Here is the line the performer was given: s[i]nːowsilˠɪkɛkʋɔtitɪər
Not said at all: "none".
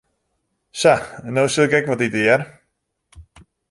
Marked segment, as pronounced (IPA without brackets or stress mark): a